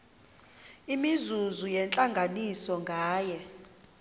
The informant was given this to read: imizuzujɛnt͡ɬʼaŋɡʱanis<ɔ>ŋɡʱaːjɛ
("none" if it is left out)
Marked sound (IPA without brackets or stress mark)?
ɔ